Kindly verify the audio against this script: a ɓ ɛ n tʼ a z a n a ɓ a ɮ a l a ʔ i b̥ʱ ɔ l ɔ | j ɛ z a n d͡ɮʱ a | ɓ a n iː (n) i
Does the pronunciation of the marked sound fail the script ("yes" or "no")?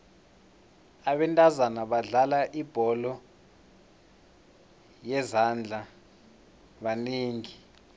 yes